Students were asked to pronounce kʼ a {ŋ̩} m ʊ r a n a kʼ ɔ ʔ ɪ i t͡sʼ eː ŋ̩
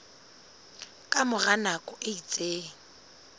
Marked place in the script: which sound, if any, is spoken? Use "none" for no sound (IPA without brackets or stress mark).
none